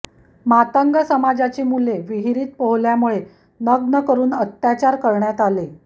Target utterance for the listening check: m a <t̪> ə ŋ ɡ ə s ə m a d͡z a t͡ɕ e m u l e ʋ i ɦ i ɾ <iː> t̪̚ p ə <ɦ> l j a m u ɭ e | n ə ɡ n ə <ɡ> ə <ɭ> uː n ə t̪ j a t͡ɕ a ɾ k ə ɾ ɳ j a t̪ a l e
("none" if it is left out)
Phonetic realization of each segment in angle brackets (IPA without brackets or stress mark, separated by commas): t̪, iː, ɦ, k, ɾ